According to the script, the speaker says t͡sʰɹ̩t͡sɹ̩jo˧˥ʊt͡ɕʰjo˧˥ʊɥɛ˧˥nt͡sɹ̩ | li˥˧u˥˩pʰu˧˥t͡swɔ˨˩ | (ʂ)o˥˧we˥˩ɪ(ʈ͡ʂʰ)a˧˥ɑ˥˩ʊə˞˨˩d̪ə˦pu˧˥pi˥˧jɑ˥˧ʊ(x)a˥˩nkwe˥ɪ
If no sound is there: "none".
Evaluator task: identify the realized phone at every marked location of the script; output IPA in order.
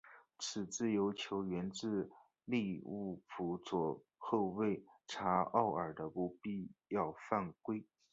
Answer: x, ʈ͡ʂʰ, f

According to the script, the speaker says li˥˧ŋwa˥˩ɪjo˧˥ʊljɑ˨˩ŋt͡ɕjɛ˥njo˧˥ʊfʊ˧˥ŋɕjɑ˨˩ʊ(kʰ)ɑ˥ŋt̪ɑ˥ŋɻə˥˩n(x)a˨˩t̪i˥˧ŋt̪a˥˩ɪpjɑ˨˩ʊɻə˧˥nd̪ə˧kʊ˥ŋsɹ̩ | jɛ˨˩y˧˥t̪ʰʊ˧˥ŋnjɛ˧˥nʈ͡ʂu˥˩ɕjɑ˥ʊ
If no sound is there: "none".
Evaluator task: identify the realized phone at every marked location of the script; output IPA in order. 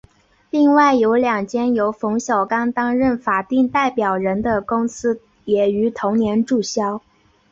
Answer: k, f

